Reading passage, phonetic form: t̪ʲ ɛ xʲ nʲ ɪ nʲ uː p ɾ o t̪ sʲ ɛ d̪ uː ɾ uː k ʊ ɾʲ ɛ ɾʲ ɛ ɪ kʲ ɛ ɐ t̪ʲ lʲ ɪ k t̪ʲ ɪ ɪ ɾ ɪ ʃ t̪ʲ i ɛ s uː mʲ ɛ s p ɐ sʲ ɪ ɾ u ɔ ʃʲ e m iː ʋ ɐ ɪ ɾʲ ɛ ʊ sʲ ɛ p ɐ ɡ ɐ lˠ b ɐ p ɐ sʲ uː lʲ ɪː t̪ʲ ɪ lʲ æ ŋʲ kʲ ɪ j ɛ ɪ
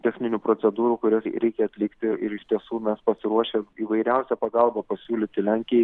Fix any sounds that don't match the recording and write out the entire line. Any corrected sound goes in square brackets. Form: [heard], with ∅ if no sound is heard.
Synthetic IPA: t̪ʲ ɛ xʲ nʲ ɪ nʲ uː p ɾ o t̪ sʲ ɛ d̪ uː ɾ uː k ʊ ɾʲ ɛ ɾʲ ɛ ɪ kʲ ɛ ɐ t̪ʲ lʲ ɪ k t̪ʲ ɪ ɪ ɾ ɪ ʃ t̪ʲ i ɛ s uː mʲ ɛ s p ɐ sʲ ɪ ɾ u ɔ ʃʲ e m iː ʋ ɐ ɪ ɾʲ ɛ ʊ sʲ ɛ p ɐ ɡ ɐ lˠ b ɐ p ɐ sʲ uː lʲ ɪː t̪ʲ ɪ lʲ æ ŋʲ kʲ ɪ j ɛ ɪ